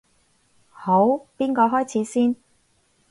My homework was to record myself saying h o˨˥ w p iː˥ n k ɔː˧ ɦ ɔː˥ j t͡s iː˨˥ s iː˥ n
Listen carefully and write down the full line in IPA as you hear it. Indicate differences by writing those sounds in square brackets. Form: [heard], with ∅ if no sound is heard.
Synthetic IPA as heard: h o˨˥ w p iː˥ n k ɔː˧ ɦ ɔː˥ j [t͡sʰ] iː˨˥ s iː˥ n

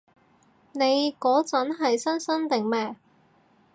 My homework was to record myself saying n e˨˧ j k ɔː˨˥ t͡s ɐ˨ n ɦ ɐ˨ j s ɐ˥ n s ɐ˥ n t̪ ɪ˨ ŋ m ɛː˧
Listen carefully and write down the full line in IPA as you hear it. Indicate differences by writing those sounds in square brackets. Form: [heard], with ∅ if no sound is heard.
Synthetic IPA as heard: n e˨˧ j k ɔː˨˥ t͡s [ɐ˨˥] n ɦ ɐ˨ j s ɐ˥ n s ɐ˥ n t̪ ɪ˨ ŋ m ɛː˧

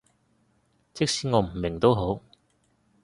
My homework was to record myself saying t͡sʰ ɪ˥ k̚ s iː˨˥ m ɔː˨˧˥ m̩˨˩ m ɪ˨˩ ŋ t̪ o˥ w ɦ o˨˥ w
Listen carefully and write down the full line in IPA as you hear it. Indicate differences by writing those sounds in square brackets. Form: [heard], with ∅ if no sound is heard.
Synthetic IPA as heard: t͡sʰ ɪ˥ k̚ s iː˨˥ [ŋ] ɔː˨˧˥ m̩˨˩ m ɪ˨˩ ŋ t̪ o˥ w ɦ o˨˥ w

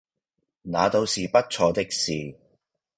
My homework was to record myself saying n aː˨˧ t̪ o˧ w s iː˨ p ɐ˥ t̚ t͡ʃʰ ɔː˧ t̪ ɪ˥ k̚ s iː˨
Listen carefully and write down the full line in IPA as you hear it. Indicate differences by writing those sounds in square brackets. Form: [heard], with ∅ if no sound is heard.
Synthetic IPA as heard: n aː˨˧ t̪ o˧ w s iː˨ p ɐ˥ t̚ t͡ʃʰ ɔː˧ t̪ ɪ˥ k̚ s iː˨

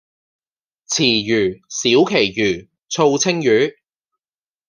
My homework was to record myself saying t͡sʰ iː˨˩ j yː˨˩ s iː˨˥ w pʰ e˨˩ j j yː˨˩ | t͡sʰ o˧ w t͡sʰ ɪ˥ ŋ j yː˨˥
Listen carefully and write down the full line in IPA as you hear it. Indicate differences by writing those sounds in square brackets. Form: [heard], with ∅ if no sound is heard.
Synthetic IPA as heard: t͡sʰ iː˨˩ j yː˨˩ s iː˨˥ w [kʰ] e˨˩ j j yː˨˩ | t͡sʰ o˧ w t͡sʰ ɪ˥ ŋ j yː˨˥

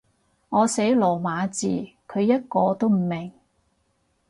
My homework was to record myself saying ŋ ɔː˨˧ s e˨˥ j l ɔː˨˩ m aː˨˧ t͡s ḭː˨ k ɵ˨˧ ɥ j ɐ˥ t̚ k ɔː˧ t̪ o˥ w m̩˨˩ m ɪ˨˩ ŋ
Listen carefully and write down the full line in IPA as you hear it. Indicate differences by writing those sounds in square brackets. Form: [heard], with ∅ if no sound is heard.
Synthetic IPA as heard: ŋ ɔː˨˧ s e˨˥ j l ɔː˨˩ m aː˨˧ t͡s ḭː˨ [kʰ] ɵ˨˧ ɥ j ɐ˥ t̚ k ɔː˧ t̪ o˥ w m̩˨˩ m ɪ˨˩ ŋ

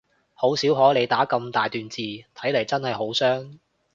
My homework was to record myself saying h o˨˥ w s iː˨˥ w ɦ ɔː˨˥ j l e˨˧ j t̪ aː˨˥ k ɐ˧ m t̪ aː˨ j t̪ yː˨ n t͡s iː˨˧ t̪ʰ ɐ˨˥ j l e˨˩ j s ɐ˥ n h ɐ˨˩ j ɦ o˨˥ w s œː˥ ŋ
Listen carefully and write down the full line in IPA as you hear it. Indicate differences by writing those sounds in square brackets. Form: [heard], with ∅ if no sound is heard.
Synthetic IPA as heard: h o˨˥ w s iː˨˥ w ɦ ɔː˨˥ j l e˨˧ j t̪ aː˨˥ k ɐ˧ m t̪ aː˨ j t̪ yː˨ n t͡s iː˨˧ t̪ʰ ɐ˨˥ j l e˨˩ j [t͡s] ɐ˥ n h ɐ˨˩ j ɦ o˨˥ w s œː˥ ŋ

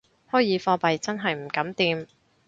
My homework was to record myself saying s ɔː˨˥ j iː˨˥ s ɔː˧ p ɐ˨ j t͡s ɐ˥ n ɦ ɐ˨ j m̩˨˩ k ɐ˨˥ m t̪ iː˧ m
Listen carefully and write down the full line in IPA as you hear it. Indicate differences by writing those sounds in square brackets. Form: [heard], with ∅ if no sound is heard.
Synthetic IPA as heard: [h] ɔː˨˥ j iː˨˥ [f] ɔː˧ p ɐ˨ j t͡s ɐ˥ n ɦ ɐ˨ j m̩˨˩ k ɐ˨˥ m t̪ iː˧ m

